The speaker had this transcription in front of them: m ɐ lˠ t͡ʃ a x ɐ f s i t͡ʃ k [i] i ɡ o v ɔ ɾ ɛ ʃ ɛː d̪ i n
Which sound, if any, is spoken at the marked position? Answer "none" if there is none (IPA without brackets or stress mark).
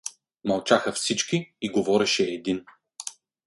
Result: i